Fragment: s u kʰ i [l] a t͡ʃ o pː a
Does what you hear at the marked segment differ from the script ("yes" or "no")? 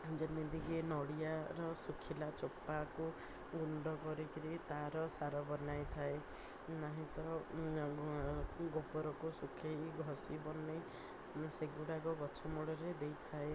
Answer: no